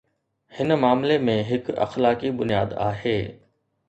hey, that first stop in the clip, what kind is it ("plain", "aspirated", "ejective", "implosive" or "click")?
plain